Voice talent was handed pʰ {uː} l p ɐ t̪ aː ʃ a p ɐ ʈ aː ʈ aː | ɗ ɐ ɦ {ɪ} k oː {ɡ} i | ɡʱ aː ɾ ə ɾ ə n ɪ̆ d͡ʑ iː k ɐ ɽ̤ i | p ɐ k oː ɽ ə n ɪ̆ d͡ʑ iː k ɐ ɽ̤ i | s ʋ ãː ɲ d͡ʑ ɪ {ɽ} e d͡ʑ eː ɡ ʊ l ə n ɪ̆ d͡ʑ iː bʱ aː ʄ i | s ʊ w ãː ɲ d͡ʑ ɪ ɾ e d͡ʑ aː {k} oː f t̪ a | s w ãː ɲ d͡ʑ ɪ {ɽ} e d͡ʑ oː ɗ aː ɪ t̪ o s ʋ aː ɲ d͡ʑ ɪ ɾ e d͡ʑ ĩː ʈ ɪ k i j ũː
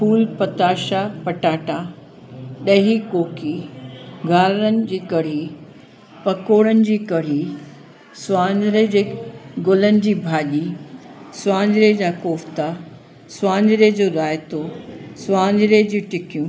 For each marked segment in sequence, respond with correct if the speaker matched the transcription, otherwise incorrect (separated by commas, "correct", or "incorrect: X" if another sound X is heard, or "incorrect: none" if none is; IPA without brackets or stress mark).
correct, incorrect: i, incorrect: k, incorrect: ɾ, correct, incorrect: ɾ